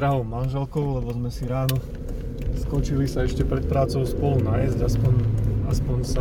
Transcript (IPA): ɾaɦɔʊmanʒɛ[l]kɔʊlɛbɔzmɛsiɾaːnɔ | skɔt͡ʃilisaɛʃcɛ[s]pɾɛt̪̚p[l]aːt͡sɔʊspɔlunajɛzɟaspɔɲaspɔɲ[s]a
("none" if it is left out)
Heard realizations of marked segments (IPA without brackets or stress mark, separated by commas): l, none, ɾ, s